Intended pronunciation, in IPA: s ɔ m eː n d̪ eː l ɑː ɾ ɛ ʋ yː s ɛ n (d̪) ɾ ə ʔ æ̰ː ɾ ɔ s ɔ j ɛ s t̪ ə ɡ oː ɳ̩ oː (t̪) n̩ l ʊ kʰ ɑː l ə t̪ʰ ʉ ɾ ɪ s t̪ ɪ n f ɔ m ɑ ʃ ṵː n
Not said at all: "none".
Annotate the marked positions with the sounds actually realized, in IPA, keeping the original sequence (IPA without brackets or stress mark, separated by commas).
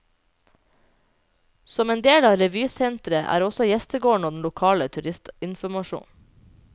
t̪, d̪